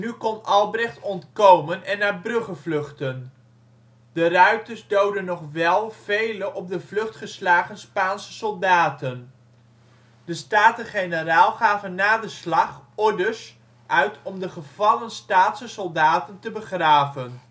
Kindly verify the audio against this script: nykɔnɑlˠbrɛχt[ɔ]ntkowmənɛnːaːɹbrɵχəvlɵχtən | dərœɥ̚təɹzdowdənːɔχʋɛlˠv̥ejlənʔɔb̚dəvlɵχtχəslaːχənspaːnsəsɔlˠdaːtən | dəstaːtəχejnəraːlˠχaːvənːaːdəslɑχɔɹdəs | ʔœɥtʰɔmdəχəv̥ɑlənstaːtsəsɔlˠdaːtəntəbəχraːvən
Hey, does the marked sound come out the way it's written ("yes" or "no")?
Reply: yes